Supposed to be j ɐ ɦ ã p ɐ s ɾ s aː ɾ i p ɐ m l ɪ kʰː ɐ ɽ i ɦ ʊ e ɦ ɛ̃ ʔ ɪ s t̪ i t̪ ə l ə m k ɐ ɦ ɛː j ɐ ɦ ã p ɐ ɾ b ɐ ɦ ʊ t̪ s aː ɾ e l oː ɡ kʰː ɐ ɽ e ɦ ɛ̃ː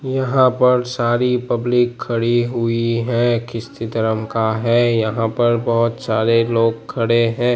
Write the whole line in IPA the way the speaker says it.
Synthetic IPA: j ɐ ɦ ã p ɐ ɾ s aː ɾ i p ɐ b l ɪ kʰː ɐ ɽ i ɦ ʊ i ɦ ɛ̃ k ɪ s t̪ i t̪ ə ɾ ə m k a ɦ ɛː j ɐ ɦ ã p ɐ ɾ b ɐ ɦ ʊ t̪ s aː ɾ e l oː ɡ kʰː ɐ ɽ e ɦ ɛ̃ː